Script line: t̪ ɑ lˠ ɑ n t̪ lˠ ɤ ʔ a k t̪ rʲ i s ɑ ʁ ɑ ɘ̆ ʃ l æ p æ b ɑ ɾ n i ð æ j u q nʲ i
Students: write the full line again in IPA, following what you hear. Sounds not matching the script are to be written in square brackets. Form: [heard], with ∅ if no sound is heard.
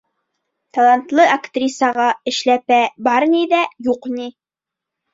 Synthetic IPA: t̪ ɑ lˠ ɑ n t̪ lˠ ɤ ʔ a k t̪ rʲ i s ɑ ʁ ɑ ɘ̆ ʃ l æ p æ b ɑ ɾ n i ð æ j u q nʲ i